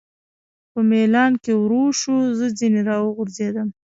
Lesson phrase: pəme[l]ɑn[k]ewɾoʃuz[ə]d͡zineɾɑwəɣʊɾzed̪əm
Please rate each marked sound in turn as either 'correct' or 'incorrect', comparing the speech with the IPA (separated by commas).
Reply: correct, correct, correct